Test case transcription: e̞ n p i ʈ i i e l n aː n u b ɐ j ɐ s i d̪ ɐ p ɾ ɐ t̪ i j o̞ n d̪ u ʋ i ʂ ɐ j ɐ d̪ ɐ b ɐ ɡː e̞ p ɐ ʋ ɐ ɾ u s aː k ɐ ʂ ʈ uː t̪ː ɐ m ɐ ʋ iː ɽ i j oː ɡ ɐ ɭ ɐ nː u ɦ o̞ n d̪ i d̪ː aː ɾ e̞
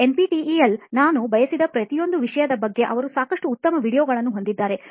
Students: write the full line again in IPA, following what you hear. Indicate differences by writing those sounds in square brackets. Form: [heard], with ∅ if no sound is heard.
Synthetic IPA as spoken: e̞ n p i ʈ i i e l n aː n u b ɐ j ɐ s i d̪ ɐ p ɾ ɐ t̪ i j o̞ n d̪ u ʋ i ʂ ɐ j ɐ d̪ ɐ b ɐ ɡː e̞ [ʔ] ɐ ʋ ɐ ɾ u s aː k ɐ ʂ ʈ uː t̪ː ɐ m ɐ ʋ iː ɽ i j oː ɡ ɐ ɭ ɐ nː u ɦ o̞ n d̪ i d̪ː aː ɾ e̞

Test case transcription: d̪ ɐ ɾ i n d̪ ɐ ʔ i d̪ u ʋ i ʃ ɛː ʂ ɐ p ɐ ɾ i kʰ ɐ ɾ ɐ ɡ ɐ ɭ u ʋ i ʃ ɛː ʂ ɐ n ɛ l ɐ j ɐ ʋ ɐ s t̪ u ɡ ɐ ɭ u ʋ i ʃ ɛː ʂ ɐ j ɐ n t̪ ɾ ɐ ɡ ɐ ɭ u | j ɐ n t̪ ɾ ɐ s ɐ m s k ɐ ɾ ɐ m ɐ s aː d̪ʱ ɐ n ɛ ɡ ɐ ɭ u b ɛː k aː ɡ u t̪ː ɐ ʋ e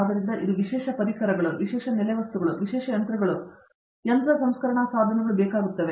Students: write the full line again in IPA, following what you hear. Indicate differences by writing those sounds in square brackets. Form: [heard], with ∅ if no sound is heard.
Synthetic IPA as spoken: d̪ ɐ ɾ i n d̪ ɐ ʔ i d̪ u ʋ i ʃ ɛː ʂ ɐ p ɐ ɾ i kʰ ɐ ɾ ɐ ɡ ɐ ɭ u ʋ i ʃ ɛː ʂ ɐ n ɛ l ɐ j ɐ ʋ ɐ s t̪ u ɡ ɐ ɭ u ʋ i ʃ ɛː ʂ ɐ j ɐ n t̪ ɾ ɐ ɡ ɐ ɭ u | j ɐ n t̪ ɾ ɐ s ɐ m s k ɐ ɾ ɐ [ɳ] ɐ s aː d̪ʱ ɐ n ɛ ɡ ɐ ɭ u b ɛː k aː ɡ u t̪ː ɐ ʋ e

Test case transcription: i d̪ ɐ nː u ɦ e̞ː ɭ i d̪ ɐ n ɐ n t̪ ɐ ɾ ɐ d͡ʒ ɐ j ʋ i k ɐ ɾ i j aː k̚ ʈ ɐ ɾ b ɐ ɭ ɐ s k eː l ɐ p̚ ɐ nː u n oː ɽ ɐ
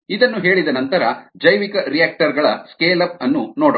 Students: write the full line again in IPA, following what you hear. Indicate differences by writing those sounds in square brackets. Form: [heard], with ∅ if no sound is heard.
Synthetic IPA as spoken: i d̪ ɐ nː u ɦ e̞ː ɭ i d̪ ɐ n ɐ n t̪ ɐ ɾ ɐ d͡ʒ ɐ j ʋ i k ɐ ɾ i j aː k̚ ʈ ɐ ɾ [ɡ] ɐ ɭ ɐ s k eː l ɐ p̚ ɐ nː u n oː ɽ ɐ

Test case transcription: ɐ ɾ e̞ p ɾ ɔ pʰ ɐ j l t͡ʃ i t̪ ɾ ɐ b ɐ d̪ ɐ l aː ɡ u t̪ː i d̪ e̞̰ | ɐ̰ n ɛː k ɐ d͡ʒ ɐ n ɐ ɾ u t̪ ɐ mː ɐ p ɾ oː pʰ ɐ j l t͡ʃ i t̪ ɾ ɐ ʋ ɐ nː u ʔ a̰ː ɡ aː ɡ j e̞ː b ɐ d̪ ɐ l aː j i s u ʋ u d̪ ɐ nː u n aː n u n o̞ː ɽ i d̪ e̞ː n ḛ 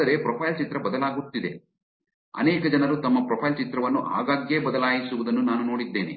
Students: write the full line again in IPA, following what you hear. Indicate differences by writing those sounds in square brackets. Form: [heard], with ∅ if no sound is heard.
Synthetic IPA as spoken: ɐ ɾ e̞ p ɾ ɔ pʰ ɐ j l t͡ʃ i t̪ ɾ ɐ b ɐ d̪ ɐ l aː ɡ u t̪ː i d̪ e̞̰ | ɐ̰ n ɛː k ɐ d͡ʒ ɐ n ɐ ɾ u t̪ ɐ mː ɐ p ɾ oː pʰ ɐ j l t͡ʃ i t̪ ɾ ɐ ʋ ɐ nː u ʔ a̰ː ɡ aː ɡ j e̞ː b ɐ d̪ ɐ l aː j i s u ʋ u d̪ ɐ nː u n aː n u n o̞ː ɽ i [d̪ː] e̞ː n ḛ

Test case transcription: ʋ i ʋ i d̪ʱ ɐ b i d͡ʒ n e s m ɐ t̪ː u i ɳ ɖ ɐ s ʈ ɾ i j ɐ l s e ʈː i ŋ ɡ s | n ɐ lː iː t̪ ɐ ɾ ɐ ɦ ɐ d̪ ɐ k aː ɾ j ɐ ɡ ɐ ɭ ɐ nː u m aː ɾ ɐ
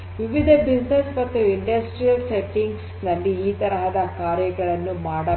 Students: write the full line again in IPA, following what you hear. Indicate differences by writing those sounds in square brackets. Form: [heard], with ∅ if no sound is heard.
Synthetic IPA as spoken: ʋ i ʋ i d̪ʱ ɐ b i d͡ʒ n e s m ɐ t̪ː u i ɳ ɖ ɐ s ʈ ɾ i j ɐ l s e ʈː i ŋ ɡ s | n ɐ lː iː t̪ ɐ ɾ ɐ ɦ ɐ d̪ ɐ k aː ɾ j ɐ ɡ ɐ ɭ ɐ nː u m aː [ɽ] ɐ

